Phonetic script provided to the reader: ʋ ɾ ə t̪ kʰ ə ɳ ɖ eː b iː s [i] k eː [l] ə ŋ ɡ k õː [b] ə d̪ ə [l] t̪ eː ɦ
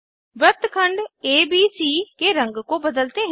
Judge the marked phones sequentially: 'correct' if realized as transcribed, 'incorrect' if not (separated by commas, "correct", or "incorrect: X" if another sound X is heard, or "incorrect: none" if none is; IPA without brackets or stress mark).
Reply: incorrect: iː, incorrect: ɾ, correct, correct